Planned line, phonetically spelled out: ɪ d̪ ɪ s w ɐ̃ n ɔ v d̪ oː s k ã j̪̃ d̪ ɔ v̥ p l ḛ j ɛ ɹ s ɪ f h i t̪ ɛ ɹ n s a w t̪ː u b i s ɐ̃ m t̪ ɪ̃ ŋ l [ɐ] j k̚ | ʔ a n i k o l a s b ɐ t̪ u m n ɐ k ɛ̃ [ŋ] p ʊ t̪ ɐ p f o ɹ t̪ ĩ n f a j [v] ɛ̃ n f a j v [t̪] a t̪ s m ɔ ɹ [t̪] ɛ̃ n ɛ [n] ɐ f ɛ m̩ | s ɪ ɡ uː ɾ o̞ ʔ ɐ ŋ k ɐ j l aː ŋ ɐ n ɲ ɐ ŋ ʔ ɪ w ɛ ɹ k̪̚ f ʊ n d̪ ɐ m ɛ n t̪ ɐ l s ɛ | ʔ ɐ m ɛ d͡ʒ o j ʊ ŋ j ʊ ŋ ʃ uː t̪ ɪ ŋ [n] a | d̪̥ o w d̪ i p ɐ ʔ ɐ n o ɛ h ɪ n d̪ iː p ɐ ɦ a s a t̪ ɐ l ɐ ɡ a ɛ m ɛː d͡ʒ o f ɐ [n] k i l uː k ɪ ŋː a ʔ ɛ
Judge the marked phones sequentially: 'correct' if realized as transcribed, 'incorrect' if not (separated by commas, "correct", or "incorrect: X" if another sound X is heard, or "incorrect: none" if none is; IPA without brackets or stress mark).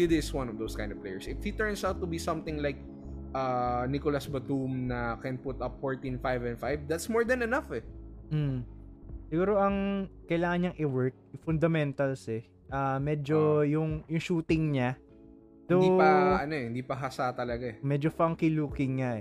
incorrect: a, incorrect: n, correct, incorrect: d̪, incorrect: d̪, correct, incorrect: ɲ, incorrect: ŋ